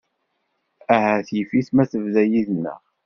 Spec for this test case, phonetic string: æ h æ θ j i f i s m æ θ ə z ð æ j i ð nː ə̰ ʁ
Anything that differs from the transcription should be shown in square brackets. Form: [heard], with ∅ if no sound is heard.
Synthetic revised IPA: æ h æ θ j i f i [θ] m æ θ ə [v] ð æ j i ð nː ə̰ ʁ